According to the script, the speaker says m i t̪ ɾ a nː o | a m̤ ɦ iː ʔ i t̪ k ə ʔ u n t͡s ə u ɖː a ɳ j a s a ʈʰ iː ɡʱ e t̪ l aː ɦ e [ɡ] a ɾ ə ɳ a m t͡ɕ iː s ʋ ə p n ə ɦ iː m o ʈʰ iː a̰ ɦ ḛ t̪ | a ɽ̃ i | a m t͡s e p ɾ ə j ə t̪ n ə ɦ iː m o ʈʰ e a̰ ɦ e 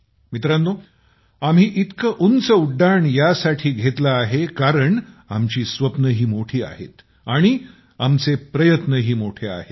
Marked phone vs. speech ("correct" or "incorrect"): incorrect